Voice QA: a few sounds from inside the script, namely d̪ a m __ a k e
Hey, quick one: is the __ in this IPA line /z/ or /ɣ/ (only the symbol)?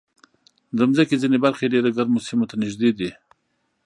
z